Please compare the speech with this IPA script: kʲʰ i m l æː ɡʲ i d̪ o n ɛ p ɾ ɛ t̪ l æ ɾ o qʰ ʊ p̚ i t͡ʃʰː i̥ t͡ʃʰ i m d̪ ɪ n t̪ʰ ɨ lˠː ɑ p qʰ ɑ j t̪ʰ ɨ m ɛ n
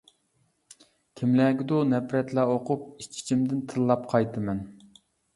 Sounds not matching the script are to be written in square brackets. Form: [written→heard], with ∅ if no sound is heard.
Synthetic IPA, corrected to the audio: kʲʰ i m l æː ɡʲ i d̪ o n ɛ p ɾ ɛ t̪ l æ [ɾ→∅] o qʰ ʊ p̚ i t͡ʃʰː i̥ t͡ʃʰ i m d̪ ɪ n t̪ʰ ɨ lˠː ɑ p qʰ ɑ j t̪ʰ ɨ m ɛ n